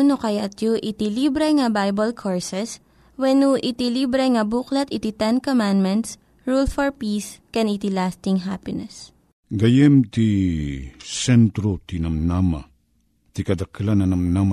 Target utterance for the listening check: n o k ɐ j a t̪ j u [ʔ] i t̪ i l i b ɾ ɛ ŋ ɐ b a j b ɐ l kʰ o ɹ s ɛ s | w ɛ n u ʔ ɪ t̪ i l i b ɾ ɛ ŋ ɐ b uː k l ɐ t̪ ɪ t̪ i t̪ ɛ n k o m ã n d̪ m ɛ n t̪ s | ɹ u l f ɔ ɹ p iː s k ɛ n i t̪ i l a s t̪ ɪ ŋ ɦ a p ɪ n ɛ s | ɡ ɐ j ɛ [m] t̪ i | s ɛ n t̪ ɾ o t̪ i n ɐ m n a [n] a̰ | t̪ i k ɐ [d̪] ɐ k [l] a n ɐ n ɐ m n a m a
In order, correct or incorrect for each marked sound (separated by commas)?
correct, correct, incorrect, correct, correct